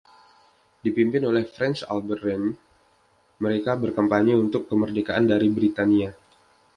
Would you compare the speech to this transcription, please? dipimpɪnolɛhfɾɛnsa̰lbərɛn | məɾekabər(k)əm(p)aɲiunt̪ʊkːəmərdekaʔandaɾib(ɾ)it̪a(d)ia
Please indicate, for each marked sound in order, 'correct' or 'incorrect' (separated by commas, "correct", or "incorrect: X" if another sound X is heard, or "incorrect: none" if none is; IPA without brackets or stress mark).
correct, correct, correct, incorrect: n